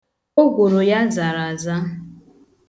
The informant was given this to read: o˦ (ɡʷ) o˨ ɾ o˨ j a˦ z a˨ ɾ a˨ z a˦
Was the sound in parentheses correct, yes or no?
yes